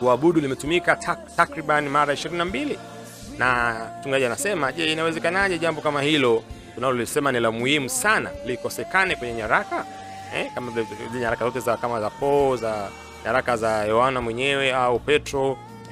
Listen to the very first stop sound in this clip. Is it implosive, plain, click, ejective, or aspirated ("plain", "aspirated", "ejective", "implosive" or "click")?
plain